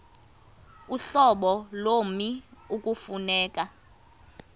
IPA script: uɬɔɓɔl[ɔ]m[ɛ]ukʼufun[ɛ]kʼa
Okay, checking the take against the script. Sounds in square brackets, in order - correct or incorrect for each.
incorrect: o, incorrect: i, incorrect: ɛː

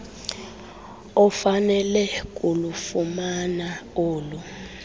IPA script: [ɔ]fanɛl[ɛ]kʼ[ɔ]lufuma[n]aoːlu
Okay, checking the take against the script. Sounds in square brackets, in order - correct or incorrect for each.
correct, correct, incorrect: u, correct

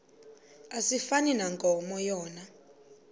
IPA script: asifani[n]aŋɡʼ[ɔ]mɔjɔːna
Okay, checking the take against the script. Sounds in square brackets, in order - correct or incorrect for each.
correct, correct

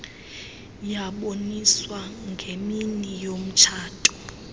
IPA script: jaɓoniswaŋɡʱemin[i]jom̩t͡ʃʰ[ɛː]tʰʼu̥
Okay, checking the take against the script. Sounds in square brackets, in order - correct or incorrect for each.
correct, incorrect: aː

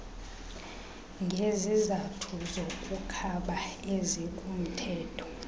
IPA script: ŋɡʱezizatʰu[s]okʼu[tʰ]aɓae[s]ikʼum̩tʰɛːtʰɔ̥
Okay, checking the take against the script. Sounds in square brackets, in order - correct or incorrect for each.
incorrect: z, incorrect: kʰ, incorrect: z

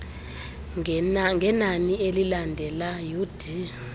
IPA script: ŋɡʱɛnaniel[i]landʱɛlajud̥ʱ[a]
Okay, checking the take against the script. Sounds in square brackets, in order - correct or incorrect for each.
correct, incorrect: i

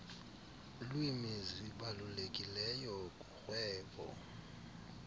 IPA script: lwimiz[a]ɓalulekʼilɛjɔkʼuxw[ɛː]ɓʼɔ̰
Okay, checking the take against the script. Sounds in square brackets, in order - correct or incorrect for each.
incorrect: i, correct

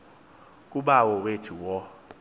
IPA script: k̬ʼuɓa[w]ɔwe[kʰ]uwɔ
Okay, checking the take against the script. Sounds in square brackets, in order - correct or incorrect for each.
correct, incorrect: tʰ

